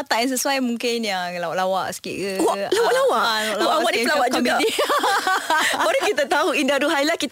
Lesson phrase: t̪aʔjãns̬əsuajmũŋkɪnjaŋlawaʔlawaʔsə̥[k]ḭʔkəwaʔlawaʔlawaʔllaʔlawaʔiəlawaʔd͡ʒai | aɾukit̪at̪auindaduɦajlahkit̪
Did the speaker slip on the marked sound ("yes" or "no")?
no